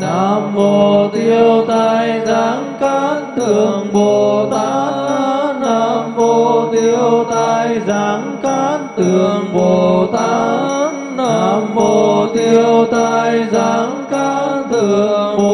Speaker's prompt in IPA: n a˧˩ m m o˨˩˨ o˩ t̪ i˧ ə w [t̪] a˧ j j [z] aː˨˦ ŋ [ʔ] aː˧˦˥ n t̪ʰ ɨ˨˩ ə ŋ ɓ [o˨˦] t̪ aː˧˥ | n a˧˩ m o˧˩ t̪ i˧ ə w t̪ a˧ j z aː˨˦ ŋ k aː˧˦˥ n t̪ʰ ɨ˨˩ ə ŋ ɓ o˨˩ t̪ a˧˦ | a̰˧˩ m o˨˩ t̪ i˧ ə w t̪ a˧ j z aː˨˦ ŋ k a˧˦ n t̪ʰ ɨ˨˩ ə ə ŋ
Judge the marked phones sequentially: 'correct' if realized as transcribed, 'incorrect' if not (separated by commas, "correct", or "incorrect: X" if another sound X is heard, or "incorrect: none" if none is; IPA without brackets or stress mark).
correct, correct, incorrect: k, incorrect: o˨˩